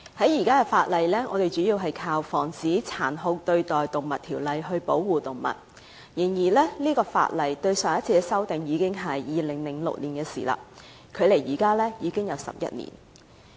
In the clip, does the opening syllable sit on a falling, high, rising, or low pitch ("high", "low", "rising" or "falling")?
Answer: rising